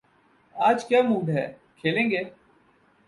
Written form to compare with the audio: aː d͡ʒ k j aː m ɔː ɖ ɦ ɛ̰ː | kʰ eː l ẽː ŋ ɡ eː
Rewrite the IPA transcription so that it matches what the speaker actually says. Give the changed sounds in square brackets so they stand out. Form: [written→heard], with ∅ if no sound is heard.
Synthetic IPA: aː d͡ʒ k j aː m [ɔː→uː] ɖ ɦ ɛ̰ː | kʰ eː l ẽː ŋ ɡ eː